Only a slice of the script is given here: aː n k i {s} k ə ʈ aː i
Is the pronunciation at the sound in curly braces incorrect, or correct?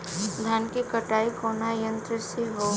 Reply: incorrect